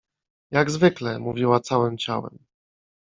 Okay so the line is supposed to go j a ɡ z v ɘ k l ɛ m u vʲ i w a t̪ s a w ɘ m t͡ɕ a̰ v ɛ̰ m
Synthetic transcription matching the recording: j a ɡ z v ɘ k l ɛ m u vʲ i w a t̪ s a w ɘ m t͡ɕ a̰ w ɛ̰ m